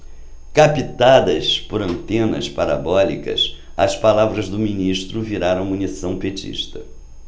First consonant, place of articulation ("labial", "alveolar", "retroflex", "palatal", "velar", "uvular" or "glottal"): velar